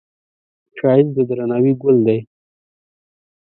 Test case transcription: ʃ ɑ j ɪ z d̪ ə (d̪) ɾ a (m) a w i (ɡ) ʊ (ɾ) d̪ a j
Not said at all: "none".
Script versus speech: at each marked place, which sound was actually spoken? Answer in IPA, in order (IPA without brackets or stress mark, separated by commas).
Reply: d̪, n, ɡ, l